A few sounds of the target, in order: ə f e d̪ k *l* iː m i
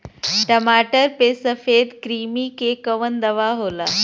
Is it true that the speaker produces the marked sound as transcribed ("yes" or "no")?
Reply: no